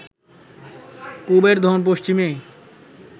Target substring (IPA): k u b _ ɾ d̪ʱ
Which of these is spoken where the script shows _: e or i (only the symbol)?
e